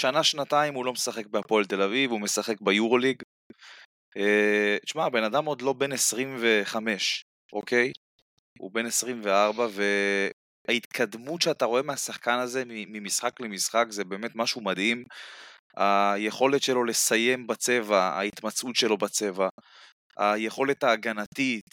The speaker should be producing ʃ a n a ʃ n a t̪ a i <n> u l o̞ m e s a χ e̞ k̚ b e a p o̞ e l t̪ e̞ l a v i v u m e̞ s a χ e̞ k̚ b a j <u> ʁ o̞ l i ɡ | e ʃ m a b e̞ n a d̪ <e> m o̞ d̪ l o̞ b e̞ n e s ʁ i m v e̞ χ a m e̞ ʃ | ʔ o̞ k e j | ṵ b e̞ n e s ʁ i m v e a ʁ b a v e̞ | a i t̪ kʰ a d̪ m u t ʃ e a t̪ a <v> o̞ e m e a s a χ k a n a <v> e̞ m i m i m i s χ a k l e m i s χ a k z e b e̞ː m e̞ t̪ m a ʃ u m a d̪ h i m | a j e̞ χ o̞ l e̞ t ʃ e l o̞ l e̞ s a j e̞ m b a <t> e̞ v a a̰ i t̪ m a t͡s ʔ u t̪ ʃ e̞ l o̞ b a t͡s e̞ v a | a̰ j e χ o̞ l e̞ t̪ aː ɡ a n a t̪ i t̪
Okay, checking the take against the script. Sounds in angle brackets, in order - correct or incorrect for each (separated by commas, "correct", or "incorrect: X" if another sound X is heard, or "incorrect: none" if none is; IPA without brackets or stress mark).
incorrect: m, correct, incorrect: a, incorrect: ʁ, incorrect: z, incorrect: t͡s